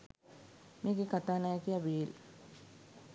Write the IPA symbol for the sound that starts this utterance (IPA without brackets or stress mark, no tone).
m